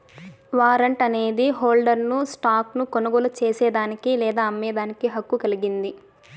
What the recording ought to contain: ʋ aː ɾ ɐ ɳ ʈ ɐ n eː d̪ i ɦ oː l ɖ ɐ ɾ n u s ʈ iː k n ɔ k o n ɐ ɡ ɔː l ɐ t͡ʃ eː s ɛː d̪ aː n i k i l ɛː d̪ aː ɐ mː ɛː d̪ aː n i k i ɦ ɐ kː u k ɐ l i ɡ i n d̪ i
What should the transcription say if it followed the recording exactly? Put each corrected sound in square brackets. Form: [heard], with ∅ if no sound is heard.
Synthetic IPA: ʋ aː ɾ ɐ ɳ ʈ ɐ n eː d̪ i ɦ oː l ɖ ɐ ɾ n u s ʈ [aː] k n [u] k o n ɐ ɡ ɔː l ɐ t͡ʃ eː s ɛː d̪ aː n i k i l ɛː d̪ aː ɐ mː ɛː d̪ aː n i k i ɦ ɐ kː u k ɐ l i ɡ i n d̪ i